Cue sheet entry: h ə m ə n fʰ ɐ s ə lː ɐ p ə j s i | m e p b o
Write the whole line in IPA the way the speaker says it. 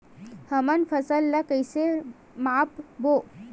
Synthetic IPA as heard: h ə m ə n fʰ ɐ s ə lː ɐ k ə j s e | m a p b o

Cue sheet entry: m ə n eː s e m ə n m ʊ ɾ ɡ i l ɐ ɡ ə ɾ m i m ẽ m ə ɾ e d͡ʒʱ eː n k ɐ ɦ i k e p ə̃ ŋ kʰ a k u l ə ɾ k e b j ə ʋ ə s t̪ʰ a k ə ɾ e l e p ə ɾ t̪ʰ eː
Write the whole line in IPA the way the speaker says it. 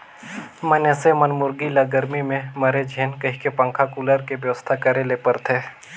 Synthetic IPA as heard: m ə n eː s e m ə n m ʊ ɾ ɡ i l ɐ ɡ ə ɾ m i m ẽ m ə ɾ e d͡ʒʱ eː n k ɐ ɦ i k e p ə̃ ŋ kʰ a k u l ə ɾ k e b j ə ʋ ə s t̪ʰ a k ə ɾ e l e p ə ɾ t̪ʰ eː

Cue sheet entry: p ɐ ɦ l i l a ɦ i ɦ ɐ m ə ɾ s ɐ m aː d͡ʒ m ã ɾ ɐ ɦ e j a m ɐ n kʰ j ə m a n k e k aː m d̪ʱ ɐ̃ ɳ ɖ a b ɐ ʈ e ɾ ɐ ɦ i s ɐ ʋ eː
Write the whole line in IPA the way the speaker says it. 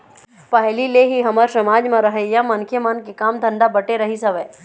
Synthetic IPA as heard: p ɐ ɦ l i l e ɦ i ɦ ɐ m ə ɾ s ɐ m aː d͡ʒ m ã ɾ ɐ ɦ e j a m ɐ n kʰ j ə m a n k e k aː m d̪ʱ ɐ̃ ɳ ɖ a b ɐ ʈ e ɾ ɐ ɦ i s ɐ ʋ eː

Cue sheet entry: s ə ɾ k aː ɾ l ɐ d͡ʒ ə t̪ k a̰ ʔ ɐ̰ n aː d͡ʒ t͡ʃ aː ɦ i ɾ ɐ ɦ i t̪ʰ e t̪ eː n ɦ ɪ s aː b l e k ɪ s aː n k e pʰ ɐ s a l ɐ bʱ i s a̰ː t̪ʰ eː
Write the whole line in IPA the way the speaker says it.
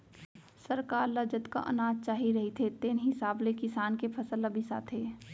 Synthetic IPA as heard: s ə ɾ k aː ɾ l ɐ d͡ʒ ə t̪ k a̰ ʔ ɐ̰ n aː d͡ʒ t͡ʃ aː ɦ i ɾ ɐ ɦ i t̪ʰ e t̪ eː n ɦ ɪ s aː b l e k ɪ s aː n k e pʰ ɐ s ə l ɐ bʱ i s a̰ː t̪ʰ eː

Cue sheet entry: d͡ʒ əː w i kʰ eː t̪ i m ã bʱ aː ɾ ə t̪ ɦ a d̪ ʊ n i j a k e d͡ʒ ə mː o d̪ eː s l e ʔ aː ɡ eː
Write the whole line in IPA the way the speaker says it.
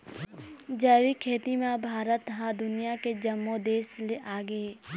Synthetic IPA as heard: d͡ʒ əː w i kʰ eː t̪ i m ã bʱ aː ɾ ə t̪ ɦ a d̪ ʊ n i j a k e d͡ʒ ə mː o d̪ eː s l e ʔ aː ɡ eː

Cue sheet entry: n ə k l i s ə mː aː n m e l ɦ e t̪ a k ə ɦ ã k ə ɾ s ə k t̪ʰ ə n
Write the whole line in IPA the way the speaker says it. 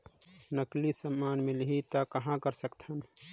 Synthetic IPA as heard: n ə k l i s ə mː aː n m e l ɦ i t̪ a k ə ɦ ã k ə ɾ s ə k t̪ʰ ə n

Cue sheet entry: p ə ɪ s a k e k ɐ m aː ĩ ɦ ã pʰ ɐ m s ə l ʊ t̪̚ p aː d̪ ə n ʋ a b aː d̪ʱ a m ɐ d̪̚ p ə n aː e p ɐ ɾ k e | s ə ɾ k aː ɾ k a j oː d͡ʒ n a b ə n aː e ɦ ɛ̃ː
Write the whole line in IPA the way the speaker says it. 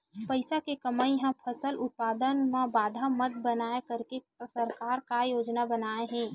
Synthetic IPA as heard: p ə ɪ s a k e k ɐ m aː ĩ ɦ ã pʰ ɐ s ə l ʊ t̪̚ p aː d̪ ə n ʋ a b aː d̪ʱ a m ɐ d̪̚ b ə n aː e k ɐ ɾ k e | s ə ɾ k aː ɾ k a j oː d͡ʒ n a b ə n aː e ɦ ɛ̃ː

